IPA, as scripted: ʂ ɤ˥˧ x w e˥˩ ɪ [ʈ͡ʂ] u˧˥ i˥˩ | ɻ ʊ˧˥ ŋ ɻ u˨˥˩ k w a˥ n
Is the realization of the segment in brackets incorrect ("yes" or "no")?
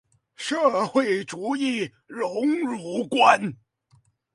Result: no